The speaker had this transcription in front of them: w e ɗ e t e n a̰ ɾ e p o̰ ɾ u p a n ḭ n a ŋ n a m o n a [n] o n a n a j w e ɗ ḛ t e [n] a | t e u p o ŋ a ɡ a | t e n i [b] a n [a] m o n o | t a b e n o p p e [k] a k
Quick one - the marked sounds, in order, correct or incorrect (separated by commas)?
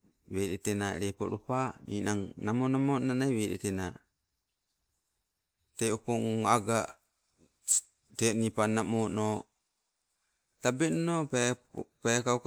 incorrect, correct, incorrect, correct, correct